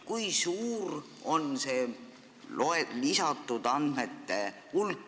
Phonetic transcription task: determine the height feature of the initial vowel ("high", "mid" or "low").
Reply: high